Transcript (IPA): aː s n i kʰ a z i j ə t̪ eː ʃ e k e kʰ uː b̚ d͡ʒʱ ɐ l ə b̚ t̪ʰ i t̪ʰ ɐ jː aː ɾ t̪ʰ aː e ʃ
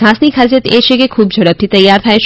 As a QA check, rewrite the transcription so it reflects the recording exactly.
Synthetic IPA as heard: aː s n i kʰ a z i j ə t̪ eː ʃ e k e kʰ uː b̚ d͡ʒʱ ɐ ɽ ə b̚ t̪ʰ i t̪ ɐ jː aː ɾ t̪ʰ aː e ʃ